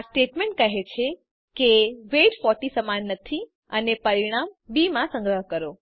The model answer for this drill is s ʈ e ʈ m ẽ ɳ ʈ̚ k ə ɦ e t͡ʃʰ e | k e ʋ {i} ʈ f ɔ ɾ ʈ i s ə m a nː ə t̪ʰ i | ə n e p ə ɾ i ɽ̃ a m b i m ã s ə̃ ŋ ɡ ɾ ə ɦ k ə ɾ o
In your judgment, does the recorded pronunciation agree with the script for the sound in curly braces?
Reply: no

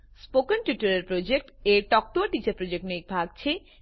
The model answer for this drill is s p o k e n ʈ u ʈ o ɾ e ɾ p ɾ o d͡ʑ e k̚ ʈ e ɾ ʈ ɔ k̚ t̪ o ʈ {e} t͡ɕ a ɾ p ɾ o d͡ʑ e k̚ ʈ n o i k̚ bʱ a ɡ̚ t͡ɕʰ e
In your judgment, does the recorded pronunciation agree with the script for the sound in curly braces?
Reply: no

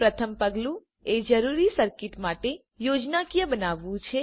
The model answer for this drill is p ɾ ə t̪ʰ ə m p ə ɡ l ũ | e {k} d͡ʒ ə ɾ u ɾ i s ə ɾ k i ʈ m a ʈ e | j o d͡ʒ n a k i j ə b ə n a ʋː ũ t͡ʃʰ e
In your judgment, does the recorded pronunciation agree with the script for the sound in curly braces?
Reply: no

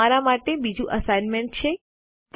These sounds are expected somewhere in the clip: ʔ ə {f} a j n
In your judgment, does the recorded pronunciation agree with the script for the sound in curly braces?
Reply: no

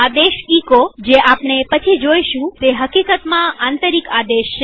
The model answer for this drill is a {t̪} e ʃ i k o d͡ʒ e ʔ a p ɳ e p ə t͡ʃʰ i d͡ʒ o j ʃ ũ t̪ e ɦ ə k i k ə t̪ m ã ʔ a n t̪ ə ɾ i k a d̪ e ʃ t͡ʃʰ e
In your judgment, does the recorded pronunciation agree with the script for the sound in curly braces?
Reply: no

